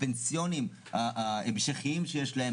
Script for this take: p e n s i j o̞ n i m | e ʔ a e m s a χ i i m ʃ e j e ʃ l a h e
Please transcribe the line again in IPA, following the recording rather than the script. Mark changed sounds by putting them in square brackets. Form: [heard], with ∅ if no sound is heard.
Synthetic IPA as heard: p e n s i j o̞ n i m | [a] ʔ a e m [ʃ] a χ i i m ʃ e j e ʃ l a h e